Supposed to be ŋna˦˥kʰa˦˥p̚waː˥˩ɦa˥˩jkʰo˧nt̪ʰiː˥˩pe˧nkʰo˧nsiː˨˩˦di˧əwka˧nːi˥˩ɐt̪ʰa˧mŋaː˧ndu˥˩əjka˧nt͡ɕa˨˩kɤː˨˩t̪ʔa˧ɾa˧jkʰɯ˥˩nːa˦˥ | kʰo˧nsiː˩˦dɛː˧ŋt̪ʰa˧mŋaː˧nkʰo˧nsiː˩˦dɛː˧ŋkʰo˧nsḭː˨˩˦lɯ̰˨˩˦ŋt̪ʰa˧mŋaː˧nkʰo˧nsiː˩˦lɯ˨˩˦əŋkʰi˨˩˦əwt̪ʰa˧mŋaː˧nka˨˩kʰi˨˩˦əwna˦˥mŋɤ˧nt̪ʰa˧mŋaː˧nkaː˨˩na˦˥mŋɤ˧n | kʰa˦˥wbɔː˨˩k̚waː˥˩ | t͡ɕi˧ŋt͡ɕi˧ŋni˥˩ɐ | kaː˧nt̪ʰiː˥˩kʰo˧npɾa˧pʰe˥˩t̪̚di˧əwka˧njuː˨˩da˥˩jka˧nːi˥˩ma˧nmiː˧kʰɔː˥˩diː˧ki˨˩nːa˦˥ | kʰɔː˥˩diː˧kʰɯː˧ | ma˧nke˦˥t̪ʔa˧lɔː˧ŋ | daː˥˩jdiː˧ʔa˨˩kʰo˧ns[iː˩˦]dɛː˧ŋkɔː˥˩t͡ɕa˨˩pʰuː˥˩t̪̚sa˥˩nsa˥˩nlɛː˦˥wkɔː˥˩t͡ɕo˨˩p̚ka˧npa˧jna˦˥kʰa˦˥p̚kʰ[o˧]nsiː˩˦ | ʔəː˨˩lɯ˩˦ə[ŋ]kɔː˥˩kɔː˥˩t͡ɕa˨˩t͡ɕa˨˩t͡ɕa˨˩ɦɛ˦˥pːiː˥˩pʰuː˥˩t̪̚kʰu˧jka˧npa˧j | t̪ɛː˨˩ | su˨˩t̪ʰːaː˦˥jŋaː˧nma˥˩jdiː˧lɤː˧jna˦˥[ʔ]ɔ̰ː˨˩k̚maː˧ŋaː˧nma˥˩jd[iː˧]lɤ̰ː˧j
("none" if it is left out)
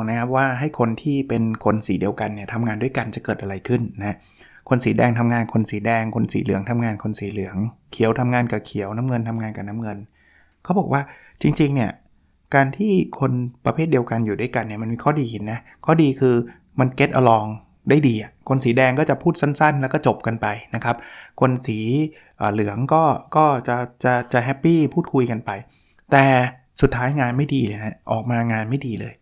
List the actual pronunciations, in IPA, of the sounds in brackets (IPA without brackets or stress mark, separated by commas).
iː˩˦, o˧, ŋ, ʔ, iː˧